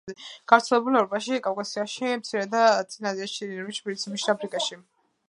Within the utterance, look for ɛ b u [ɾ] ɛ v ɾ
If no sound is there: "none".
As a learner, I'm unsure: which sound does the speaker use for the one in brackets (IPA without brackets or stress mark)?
l